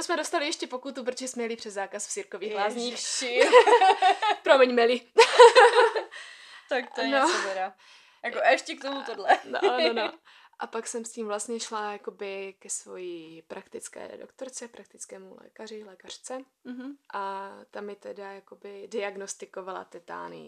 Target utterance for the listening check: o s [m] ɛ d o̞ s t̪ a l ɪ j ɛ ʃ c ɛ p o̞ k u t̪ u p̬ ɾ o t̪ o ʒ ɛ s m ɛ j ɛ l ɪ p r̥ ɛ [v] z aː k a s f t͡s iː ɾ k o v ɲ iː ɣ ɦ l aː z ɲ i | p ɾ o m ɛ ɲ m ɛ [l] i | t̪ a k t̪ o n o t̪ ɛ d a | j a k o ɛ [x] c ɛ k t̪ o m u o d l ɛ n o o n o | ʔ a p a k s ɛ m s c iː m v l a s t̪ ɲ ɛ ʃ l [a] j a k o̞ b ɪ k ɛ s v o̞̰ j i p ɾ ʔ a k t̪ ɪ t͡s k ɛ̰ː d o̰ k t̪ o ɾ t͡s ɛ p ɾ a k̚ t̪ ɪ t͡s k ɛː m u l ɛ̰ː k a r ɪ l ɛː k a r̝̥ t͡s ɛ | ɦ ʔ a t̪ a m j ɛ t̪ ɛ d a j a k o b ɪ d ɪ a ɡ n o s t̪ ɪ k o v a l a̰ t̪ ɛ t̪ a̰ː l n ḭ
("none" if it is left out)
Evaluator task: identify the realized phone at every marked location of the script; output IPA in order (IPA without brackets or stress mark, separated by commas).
m, z, l, ʃ, a